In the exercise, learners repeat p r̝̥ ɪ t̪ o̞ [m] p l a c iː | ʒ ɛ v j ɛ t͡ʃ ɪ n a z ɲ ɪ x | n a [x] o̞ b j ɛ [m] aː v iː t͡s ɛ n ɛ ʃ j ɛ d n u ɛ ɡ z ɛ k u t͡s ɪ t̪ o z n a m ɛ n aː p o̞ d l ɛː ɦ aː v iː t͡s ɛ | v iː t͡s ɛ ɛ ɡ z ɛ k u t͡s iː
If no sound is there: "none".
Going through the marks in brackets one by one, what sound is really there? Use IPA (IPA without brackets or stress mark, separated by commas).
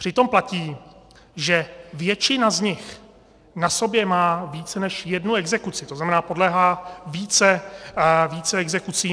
m, s, m